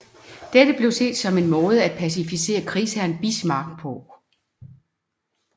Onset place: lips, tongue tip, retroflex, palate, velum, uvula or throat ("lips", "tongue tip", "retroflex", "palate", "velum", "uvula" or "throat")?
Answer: tongue tip